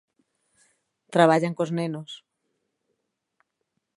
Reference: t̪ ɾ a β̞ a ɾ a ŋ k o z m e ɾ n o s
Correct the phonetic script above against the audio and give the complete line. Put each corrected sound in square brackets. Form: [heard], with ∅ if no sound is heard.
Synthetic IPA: t̪ ɾ a β̞ a [ʎ] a ŋ k o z [n] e [∅] n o s